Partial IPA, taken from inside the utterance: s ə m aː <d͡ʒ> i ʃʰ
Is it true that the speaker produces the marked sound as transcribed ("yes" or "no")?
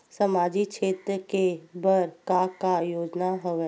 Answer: yes